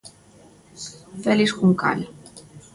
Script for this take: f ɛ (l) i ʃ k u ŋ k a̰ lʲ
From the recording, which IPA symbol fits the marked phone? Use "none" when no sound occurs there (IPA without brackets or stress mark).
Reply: l